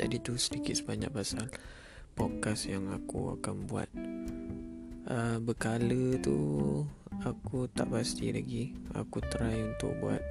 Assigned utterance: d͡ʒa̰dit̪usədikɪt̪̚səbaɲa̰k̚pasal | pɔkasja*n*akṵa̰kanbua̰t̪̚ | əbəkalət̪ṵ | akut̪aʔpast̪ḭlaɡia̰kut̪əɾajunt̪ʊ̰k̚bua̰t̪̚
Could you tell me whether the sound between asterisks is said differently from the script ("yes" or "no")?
yes